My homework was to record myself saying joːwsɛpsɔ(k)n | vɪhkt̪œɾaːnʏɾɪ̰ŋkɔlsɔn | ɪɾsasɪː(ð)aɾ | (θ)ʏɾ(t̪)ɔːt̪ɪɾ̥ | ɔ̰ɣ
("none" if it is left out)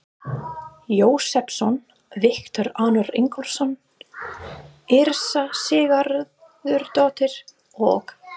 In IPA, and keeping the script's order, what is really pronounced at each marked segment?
none, ɣ, ð, t̪

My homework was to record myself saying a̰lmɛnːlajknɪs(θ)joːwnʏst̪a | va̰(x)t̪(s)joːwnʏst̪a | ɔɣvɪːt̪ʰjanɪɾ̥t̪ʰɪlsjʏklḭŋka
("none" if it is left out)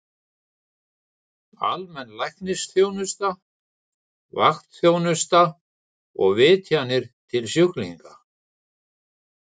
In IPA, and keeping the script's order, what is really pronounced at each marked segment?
θ, x, θ

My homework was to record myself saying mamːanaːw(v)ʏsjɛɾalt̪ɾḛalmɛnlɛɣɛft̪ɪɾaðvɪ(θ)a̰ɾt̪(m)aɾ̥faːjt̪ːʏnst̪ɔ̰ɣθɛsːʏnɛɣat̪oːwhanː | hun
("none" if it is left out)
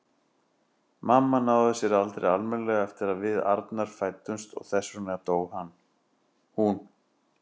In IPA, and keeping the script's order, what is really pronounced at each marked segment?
ð, ð, n

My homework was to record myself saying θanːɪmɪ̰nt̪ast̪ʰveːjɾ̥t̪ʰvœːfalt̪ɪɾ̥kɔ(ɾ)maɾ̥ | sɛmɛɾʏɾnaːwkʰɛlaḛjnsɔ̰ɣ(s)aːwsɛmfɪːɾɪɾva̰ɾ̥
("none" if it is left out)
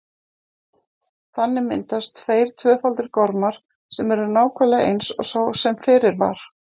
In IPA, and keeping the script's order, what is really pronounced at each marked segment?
ɾ, s

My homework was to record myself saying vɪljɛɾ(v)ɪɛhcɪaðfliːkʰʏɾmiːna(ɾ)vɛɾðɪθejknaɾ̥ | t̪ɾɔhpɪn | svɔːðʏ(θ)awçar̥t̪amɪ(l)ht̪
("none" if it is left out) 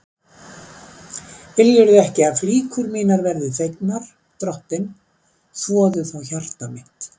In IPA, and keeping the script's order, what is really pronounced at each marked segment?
ð, ɾ, θ, none

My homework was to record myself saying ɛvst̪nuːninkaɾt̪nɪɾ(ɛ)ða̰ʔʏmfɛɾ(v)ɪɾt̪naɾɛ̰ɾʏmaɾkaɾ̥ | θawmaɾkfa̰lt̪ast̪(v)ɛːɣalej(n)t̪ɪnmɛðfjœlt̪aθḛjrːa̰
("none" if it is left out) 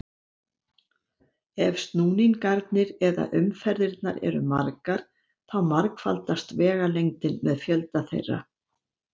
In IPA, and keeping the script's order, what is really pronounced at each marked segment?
ɛ, ð, v, ŋ

